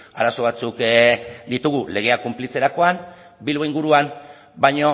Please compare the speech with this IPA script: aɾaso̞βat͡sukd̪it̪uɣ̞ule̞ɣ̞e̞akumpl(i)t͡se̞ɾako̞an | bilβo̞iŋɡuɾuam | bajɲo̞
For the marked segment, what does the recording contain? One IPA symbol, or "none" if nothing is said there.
i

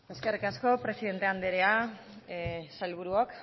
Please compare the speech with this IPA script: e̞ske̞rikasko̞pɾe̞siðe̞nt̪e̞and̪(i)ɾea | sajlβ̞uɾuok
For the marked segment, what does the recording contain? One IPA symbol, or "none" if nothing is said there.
e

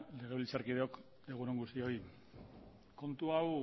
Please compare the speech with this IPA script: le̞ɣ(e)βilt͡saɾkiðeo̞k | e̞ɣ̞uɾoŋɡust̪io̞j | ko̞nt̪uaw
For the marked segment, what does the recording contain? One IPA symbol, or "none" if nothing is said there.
e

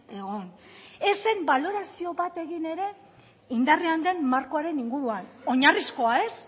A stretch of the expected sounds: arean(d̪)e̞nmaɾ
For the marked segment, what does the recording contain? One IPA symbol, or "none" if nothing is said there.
d̪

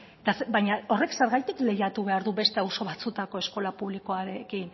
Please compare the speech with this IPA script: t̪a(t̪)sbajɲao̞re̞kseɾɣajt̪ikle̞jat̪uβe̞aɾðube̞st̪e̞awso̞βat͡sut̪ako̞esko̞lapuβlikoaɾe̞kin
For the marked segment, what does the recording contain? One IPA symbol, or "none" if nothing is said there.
none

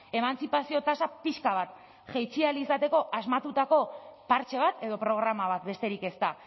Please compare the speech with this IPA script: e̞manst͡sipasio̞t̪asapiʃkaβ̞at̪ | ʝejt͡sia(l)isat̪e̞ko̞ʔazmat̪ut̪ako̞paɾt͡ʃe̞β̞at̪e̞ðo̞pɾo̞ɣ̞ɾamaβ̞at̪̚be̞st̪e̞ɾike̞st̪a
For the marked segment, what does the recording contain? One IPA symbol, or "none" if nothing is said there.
l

